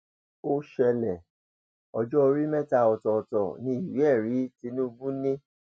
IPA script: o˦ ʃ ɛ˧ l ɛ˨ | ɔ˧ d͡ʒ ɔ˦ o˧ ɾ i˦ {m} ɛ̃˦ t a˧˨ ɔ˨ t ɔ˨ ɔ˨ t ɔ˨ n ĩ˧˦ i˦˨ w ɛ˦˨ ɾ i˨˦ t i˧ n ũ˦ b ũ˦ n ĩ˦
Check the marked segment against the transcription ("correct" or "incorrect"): correct